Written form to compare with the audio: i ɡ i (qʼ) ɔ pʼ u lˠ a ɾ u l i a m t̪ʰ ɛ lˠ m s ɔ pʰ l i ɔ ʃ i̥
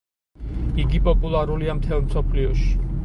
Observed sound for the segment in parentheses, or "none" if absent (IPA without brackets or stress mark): pʼ